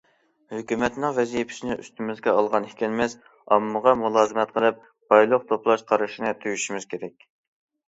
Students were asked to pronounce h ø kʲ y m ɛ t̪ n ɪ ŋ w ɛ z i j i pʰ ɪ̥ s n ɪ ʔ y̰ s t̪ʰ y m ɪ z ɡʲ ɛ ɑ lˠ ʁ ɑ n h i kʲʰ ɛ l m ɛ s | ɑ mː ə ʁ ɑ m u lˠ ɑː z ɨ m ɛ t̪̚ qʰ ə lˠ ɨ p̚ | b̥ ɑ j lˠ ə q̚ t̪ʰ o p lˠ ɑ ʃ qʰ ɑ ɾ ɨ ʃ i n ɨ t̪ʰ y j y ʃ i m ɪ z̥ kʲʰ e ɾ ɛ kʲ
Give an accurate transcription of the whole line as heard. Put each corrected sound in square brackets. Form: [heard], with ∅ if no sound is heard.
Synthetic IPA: h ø kʲ y m ɛ t̪ n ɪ ŋ [v] ɛ z i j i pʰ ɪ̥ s n ɪ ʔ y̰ s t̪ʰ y m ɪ z ɡʲ ɛ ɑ lˠ ʁ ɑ n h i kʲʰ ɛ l m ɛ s | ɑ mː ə ʁ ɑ m u lˠ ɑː z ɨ m ɛ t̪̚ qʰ ə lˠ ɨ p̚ | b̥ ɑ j lˠ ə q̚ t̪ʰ o p lˠ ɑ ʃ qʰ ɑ ɾ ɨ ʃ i n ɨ t̪ʰ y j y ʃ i m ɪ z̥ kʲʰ e ɾ ɛ kʲ